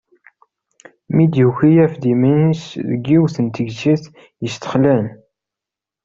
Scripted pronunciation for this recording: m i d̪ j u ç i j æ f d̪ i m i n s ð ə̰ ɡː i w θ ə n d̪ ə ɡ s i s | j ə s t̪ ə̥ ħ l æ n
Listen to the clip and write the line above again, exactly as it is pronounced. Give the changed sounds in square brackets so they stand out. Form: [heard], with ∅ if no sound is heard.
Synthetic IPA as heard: m i d̪ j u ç i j æ f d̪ i m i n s ð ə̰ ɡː i w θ ə n [t̪] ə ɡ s i [θ] | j ə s t̪ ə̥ [χ] l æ n